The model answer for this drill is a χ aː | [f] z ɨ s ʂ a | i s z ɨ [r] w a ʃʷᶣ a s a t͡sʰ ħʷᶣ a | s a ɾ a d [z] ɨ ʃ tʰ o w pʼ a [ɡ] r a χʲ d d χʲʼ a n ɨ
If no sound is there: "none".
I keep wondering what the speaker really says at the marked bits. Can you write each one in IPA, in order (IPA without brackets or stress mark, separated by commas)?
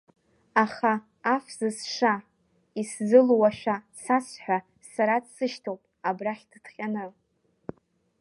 f, l, s, b